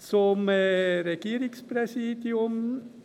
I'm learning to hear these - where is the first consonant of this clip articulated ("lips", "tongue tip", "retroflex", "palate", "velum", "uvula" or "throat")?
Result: tongue tip